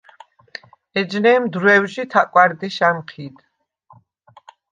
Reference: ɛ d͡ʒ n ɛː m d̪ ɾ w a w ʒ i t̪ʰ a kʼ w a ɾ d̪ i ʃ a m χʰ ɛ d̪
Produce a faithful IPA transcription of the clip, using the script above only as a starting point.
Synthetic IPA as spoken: ɛ d͡ʒ n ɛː m d̪ ɾ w ɛ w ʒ i t̪ʰ a kʼ w a ɾ d̪ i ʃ a m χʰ i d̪